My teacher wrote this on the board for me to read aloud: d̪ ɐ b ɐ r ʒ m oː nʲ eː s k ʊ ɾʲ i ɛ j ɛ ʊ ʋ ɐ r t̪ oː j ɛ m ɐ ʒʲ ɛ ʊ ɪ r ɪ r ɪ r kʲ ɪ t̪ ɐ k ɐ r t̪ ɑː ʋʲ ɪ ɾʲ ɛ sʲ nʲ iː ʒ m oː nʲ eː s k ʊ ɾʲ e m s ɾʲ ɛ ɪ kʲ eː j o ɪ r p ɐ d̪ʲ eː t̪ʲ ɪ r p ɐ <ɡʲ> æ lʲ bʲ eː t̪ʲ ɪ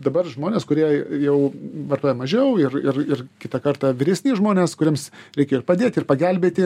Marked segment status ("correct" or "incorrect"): correct